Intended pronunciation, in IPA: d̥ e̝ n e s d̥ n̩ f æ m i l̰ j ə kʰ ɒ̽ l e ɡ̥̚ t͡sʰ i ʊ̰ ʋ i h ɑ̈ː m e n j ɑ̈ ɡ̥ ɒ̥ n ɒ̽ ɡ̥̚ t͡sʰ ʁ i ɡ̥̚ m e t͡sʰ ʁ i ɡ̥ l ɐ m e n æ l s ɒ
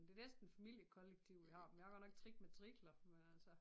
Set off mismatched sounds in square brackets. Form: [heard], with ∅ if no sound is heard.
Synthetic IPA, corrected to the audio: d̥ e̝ n e s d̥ n̩ f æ m i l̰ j ə kʰ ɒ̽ l e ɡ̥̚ t͡sʰ i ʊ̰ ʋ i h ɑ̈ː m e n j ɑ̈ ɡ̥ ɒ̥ n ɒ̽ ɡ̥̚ t͡sʰ ʁ i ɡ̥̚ m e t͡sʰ ʁ i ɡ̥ l ɐ m e n æ l s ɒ